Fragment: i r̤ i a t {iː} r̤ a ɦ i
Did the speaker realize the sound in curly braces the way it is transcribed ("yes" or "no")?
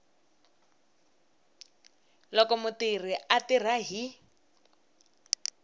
no